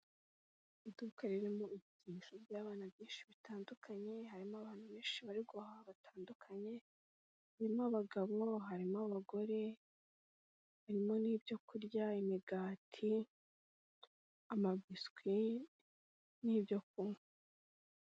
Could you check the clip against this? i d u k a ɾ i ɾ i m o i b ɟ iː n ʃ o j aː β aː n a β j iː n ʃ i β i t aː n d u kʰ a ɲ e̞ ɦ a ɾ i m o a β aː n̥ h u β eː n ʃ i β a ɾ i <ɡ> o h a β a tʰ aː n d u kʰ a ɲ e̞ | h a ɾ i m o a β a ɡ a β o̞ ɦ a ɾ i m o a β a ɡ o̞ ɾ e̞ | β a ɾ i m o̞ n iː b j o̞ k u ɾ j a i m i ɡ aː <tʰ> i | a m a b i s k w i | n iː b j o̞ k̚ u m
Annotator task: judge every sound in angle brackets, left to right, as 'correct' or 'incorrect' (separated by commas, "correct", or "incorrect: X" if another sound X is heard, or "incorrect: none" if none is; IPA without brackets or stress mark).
correct, correct